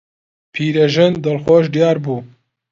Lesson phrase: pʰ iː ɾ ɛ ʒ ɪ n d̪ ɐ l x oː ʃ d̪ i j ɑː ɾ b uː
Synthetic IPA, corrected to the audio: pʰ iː ɾ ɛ ʒ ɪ n d̪ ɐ l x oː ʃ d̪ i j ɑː ɾ b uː